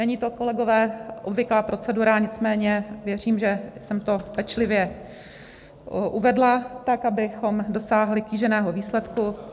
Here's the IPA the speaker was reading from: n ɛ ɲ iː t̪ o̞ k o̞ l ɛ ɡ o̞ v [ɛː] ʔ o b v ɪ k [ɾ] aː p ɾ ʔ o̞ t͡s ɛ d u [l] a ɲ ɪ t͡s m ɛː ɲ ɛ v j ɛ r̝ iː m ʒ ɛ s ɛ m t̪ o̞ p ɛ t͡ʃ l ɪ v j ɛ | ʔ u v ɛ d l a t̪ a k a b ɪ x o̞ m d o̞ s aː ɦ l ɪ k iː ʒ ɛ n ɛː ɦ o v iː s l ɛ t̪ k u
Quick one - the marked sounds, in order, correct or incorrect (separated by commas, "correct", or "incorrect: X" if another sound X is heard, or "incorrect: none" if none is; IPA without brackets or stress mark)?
correct, incorrect: l, incorrect: ɾ